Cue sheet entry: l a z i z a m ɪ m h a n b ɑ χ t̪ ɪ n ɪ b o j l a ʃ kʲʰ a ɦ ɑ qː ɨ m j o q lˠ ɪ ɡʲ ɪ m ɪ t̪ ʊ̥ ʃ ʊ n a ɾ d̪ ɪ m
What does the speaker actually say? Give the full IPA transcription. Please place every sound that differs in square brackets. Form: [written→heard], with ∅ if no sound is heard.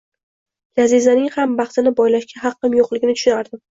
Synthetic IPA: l a z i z a [m→n] ɪ [m→ŋ] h a [n→m] b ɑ χ t̪ ɪ n ɪ b [o→ɒ] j l a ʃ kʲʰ a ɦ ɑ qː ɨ m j o q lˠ ɪ ɡʲ ɪ [m→n] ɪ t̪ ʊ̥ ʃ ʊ n a ɾ d̪ ɪ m